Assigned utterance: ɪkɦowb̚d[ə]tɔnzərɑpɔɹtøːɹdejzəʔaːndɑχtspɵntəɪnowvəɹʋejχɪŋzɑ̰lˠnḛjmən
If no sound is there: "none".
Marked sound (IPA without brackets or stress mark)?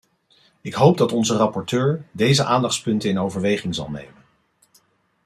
ɑ